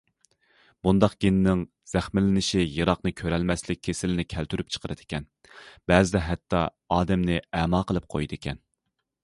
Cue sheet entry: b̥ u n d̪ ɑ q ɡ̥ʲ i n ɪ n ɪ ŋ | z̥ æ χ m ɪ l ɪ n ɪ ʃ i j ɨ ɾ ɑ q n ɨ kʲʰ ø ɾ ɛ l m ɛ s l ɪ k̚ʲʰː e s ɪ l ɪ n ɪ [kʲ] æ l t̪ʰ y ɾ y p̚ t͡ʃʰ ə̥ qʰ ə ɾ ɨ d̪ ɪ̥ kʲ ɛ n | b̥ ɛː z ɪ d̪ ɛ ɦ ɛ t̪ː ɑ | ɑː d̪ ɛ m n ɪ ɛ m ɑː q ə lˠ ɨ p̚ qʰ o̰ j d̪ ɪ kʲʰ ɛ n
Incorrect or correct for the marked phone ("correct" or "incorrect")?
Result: incorrect